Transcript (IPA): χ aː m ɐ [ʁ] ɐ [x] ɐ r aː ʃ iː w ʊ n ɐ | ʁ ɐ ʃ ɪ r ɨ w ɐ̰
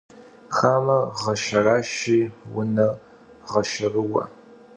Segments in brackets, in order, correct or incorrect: correct, incorrect: ʃ

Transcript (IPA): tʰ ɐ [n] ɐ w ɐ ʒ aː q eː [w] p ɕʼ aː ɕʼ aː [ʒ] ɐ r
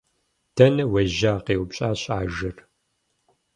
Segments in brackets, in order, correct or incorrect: correct, correct, correct

